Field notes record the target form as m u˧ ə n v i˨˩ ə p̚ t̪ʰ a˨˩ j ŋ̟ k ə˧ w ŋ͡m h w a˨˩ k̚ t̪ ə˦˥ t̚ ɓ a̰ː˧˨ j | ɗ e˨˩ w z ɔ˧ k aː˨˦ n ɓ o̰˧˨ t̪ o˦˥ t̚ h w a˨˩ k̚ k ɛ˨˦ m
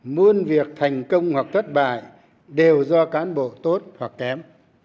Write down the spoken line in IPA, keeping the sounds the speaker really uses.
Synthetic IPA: m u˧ ə n v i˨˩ ə k̚ t̪ʰ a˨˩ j ŋ̟ k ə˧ w ŋ͡m h w a˨˩ k̚ t̪ʰ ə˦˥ t̚ ɓ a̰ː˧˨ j | ɗ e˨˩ w z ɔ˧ k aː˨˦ n ɓ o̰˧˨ t̪ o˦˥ t̚ h w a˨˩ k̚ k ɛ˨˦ m